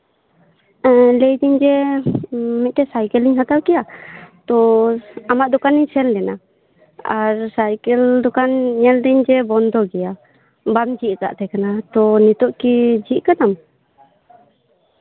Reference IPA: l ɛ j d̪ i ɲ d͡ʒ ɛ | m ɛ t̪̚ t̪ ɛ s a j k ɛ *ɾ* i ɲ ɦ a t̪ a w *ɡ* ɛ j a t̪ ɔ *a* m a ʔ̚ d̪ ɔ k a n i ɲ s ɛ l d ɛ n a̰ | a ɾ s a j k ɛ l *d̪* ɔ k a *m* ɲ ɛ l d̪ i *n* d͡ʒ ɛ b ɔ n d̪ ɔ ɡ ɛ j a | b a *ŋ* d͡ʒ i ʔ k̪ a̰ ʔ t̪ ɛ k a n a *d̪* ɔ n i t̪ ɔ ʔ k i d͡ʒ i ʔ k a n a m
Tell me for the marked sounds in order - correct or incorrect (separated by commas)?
incorrect, incorrect, correct, correct, incorrect, incorrect, incorrect, incorrect